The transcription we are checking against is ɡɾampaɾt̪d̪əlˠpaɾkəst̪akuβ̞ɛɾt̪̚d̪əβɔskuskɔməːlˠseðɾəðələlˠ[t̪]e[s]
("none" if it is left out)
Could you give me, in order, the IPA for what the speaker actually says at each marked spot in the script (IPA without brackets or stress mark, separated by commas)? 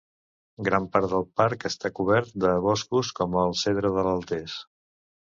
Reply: t̪, s